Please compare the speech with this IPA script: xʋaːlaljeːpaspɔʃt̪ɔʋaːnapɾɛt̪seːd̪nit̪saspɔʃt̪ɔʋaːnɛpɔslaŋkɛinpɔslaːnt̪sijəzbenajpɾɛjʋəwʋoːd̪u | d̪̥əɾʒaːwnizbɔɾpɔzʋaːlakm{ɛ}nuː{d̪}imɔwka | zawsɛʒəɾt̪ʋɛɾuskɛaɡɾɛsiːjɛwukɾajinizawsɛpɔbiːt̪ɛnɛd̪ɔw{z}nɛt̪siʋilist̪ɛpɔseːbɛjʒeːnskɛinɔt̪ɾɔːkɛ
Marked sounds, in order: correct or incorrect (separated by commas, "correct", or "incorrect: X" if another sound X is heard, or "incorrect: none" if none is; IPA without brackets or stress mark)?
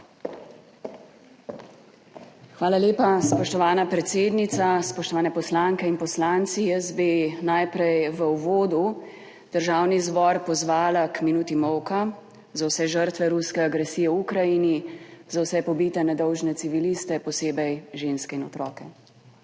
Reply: incorrect: i, incorrect: t̪, incorrect: ʒ